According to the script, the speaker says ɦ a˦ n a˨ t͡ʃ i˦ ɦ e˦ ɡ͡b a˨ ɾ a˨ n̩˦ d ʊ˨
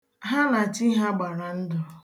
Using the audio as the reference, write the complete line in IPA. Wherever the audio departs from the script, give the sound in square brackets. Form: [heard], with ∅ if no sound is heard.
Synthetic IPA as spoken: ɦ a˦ n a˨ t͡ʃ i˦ ɦ [a˦] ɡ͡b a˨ ɾ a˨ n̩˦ d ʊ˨